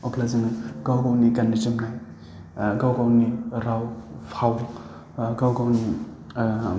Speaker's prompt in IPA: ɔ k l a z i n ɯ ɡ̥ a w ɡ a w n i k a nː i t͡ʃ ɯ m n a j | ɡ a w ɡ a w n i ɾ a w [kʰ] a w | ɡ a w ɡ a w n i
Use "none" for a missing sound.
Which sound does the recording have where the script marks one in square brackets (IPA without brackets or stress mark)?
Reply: pʰ